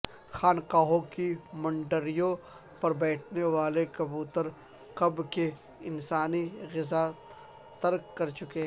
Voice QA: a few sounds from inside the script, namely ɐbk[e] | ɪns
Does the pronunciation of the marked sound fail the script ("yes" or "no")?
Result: no